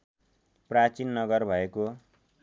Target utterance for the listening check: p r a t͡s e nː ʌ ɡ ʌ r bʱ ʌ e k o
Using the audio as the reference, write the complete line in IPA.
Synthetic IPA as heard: p r a t͡s i nː ʌ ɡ ʌ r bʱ ʌ e k o